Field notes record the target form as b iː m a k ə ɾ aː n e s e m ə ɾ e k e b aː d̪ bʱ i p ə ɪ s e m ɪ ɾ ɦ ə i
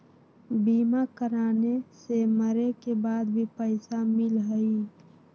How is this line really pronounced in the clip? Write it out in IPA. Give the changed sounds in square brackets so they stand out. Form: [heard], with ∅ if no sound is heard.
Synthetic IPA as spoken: b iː m a k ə ɾ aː n e s e m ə ɾ e k e b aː d̪ bʱ i p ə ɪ s [a] m ɪ [l] ɦ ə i